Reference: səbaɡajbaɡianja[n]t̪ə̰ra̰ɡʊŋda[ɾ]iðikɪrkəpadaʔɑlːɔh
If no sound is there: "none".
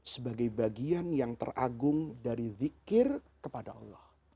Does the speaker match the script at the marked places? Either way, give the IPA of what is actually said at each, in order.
ŋ, ɾ

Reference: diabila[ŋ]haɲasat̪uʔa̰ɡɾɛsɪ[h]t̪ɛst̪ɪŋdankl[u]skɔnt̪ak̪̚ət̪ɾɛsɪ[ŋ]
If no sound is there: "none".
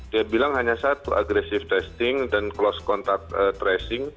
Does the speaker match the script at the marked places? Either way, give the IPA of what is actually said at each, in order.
ŋ, f, ɔ, ŋ

